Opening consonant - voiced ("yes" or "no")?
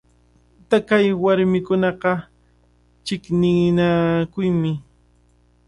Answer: no